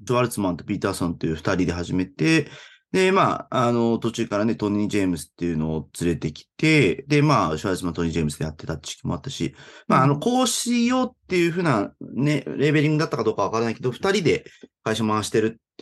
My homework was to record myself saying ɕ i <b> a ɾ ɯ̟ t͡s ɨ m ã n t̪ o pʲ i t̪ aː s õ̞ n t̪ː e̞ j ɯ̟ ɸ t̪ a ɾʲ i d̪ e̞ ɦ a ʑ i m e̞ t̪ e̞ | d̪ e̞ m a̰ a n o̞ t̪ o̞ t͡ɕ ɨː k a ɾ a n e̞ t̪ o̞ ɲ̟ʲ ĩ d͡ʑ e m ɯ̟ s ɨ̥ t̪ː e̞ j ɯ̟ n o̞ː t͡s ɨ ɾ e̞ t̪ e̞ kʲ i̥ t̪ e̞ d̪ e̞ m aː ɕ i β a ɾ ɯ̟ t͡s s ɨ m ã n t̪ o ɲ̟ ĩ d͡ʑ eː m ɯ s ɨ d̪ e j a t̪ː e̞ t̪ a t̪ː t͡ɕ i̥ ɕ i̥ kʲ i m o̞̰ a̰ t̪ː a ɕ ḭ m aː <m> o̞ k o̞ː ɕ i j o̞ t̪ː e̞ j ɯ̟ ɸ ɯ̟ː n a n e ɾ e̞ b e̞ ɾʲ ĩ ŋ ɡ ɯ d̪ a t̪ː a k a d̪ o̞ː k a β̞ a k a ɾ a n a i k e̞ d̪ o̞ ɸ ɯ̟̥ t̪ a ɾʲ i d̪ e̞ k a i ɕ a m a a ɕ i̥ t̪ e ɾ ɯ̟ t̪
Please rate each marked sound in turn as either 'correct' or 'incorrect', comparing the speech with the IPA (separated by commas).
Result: incorrect, incorrect